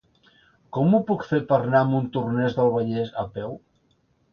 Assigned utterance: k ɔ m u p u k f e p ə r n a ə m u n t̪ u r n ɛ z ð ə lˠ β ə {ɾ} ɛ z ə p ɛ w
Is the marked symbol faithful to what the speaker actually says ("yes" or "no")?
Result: no